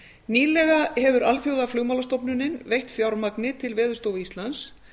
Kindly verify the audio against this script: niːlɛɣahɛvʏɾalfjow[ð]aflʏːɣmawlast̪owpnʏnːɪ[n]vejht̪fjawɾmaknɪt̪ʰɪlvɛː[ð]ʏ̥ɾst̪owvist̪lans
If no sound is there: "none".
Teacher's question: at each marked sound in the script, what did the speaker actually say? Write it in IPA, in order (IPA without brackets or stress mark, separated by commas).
ð, n, ð